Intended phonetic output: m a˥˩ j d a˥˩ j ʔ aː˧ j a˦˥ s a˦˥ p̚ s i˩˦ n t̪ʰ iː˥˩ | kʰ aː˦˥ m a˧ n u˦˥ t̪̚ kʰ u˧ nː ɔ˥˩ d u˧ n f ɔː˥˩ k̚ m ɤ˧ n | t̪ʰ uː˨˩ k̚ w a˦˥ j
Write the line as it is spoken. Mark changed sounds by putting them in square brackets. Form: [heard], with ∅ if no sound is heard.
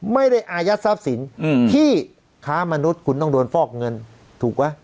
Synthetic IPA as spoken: m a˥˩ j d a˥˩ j ʔ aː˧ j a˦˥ s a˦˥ p̚ s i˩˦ n t̪ʰ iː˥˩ | kʰ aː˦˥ m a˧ n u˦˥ t̪̚ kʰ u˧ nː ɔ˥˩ d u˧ n f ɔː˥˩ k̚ [ŋ] ɤ˧ n | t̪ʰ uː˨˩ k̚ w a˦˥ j